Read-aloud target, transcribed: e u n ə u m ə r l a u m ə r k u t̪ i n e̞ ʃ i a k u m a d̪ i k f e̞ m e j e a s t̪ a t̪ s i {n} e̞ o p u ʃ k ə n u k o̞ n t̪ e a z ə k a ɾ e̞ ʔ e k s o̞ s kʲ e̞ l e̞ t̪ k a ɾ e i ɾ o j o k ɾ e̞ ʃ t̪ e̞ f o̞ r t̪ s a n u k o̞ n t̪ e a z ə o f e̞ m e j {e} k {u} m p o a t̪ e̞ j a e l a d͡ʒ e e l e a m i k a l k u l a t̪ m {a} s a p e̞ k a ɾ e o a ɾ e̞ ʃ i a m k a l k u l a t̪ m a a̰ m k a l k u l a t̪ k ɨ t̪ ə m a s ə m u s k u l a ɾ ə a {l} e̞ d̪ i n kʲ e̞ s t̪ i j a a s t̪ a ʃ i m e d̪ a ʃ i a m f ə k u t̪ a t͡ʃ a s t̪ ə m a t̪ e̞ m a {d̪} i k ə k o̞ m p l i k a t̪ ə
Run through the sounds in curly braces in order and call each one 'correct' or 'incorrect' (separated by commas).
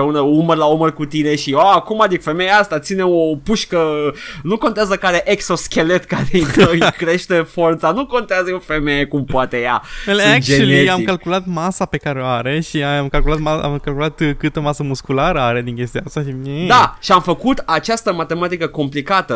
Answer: correct, correct, correct, correct, incorrect, incorrect